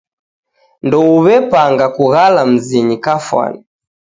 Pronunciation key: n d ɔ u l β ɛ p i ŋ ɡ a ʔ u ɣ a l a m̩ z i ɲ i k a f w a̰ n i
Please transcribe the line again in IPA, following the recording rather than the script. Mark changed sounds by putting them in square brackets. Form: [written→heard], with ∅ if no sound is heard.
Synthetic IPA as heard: n d ɔ u [l→∅] β ɛ p [i→a] ŋ ɡ a [ʔ→k] u ɣ a l a m̩ z i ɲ i k a f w a̰ n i

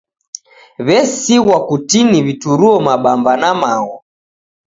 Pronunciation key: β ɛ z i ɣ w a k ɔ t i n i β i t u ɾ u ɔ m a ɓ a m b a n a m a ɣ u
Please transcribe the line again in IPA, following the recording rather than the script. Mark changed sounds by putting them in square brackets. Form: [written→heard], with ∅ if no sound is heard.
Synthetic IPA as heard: β ɛ [z→s] i ɣ w a k [ɔ→u] t i n i β i t u ɾ u ɔ m a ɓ a m b a n a m a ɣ [u→ɔ]

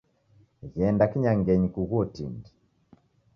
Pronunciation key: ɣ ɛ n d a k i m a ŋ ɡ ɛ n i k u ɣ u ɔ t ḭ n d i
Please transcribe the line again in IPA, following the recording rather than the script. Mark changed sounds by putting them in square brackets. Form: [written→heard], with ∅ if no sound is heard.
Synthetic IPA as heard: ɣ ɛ n d a k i [m→ɲ] a ŋ ɡ ɛ [n→ɲ] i k u ɣ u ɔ t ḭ n d i

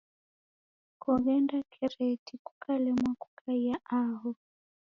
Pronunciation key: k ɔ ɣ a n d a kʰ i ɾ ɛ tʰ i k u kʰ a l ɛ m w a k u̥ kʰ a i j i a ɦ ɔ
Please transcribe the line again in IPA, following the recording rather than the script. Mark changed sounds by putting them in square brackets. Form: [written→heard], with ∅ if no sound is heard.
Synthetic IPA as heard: k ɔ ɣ [a→ɛ] n d a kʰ [i→ɛ] ɾ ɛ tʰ i k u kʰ a l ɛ m w a k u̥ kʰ a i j [i→a] a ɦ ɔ

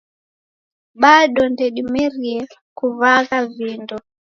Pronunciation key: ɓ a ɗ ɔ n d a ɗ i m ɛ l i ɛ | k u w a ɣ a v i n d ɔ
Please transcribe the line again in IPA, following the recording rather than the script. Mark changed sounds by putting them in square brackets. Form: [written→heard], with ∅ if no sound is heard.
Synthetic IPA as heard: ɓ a ɗ ɔ n d [a→ɛ] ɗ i m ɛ [l→ɾ] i ɛ | k u [w→v] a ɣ a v i n d ɔ

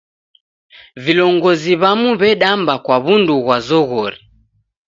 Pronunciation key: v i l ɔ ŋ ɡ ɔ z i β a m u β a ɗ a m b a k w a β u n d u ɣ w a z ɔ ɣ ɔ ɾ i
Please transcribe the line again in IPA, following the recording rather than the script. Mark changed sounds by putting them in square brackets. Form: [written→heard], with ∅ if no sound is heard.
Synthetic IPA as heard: v i l ɔ ŋ ɡ ɔ z i β a m u β [a→ɛ] ɗ a m b a k w a β u n d u ɣ w a z ɔ ɣ ɔ ɾ i

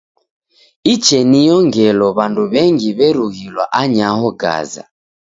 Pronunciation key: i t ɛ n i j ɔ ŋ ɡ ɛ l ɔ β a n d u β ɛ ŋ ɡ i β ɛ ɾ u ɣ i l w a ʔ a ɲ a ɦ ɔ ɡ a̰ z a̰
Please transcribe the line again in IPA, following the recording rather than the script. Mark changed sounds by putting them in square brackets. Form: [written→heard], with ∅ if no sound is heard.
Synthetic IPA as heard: i [t→t͡ʃ] ɛ n i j ɔ ŋ ɡ ɛ l ɔ β a n d u β ɛ ŋ ɡ i β ɛ ɾ u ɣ i l w a ʔ a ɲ a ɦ ɔ ɡ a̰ z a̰

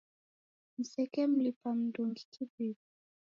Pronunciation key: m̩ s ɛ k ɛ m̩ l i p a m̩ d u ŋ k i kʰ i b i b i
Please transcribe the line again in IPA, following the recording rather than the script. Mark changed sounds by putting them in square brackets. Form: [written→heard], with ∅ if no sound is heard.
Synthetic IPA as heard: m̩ s ɛ k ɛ m̩ l i p a m̩ d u ŋ [k→ɡ] i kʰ i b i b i

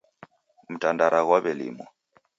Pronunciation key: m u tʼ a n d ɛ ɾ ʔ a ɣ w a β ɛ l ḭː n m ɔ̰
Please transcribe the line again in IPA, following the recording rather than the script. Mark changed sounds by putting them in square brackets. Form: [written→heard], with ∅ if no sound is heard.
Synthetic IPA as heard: m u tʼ a n d [ɛ→a] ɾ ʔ a ɣ w a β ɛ l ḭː [n→∅] m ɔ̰

